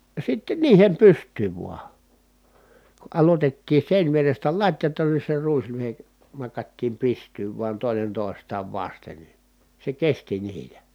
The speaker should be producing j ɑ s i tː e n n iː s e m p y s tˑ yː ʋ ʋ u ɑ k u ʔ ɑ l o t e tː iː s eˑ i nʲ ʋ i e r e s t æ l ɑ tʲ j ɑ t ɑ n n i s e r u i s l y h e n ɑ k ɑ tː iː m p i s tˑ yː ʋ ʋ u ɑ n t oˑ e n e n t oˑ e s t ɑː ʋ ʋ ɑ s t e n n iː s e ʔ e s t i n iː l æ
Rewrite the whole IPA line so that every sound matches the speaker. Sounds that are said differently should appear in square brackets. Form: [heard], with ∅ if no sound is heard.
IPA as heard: j ɑ s i tː e n n iː [h] e m p y s tˑ yː ʋ ʋ u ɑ k u ʔ ɑ l o t e tː iː s eˑ i nʲ ʋ i e r e s t æ l ɑ tʲ j ɑ t ɑ n n i s e r u i s l y h e n ɑ k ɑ tː iː m p i s tˑ yː ʋ ʋ u ɑ n t oˑ e n e n t oˑ e s t ɑː ʋ ʋ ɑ s t e n n [i] s e [k] e s t i n iː l æ